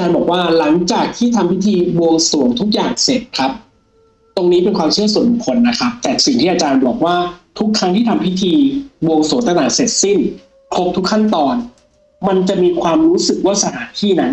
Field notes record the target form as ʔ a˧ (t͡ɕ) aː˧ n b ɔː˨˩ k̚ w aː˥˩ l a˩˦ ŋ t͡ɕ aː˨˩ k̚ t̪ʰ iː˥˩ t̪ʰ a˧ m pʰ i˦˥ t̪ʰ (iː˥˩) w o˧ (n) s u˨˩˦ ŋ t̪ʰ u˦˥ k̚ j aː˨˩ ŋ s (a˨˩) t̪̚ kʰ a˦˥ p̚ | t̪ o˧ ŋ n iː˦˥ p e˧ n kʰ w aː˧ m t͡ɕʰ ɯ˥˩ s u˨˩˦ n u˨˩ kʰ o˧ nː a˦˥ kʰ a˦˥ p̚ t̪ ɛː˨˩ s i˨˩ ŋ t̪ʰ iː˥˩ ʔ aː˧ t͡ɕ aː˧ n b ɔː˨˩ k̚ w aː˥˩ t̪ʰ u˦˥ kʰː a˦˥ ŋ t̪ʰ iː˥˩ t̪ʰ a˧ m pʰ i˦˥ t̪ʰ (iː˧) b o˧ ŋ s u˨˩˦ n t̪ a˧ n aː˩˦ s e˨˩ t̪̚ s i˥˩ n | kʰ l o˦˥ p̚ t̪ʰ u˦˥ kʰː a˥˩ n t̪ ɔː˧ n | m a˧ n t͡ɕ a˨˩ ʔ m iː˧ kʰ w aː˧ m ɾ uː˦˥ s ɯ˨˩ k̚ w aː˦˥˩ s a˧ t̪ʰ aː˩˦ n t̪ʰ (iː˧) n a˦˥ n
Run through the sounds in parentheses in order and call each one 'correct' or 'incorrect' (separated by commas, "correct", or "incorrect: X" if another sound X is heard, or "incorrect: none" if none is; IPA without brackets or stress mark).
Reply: correct, incorrect: iː˧, incorrect: ŋ, incorrect: e˨˩, correct, incorrect: iː˥˩